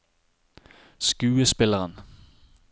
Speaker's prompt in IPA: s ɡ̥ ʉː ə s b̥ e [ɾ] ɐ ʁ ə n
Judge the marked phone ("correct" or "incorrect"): incorrect